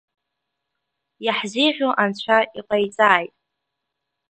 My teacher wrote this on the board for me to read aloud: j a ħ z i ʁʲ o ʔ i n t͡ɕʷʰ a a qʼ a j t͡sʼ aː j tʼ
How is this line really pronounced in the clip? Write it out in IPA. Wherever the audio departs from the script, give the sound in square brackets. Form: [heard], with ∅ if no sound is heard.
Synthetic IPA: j a ħ z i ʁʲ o ʔ [a] n t͡ɕʷʰ a [i] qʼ a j t͡sʼ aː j tʼ